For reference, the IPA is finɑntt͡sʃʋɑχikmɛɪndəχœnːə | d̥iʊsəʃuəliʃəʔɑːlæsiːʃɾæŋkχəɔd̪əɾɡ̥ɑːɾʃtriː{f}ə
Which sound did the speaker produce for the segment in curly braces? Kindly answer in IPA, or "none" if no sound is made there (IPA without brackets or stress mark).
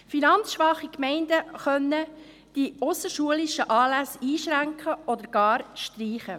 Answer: χ